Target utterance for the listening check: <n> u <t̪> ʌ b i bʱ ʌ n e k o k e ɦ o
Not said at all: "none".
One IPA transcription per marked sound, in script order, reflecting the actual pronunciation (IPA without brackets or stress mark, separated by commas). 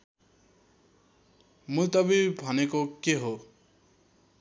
m, t̪